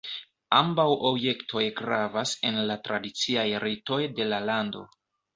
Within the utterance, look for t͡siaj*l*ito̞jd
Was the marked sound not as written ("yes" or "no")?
yes